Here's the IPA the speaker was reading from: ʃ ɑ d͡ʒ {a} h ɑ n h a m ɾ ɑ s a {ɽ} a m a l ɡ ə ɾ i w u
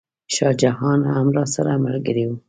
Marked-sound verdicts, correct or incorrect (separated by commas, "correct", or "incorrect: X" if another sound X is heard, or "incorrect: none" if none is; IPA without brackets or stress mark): correct, incorrect: ɾ